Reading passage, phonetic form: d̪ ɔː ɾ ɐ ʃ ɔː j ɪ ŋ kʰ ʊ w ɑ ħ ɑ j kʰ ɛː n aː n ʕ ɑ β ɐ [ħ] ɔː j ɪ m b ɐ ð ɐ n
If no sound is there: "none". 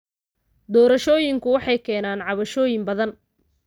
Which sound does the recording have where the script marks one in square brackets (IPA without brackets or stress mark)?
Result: ʃ